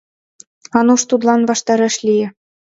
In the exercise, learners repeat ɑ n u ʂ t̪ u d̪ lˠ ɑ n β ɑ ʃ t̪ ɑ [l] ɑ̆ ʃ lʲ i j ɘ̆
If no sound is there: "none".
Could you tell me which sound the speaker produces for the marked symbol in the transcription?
ɾ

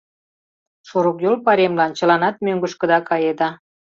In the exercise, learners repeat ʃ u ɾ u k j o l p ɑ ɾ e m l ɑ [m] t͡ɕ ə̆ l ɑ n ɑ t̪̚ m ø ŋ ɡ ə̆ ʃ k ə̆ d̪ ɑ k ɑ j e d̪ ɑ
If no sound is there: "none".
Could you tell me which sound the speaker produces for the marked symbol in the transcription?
n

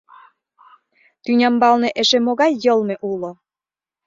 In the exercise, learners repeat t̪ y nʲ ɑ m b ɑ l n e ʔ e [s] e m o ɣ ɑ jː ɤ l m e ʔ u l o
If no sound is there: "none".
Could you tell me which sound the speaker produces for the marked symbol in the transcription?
ʃ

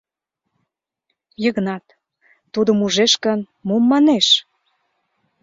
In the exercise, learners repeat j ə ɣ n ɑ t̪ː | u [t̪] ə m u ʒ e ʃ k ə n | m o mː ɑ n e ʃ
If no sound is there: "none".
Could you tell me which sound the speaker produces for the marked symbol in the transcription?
d̪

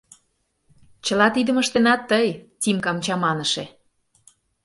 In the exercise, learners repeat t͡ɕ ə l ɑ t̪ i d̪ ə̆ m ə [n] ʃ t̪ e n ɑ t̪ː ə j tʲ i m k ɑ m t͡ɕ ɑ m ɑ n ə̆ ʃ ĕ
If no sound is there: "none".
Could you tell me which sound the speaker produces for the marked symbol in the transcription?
none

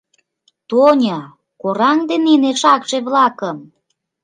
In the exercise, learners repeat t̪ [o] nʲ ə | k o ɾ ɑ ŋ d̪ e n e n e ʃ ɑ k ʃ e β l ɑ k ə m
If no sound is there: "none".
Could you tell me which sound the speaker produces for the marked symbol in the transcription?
o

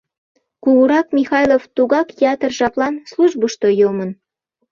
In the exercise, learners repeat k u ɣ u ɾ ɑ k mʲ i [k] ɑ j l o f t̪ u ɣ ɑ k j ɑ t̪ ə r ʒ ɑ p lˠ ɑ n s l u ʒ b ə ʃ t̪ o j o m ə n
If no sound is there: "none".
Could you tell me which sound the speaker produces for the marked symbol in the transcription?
x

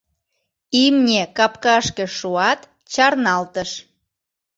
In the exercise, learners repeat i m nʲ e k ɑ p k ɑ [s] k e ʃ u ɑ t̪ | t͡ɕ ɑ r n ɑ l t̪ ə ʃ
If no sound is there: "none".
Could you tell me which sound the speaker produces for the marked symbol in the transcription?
ʃ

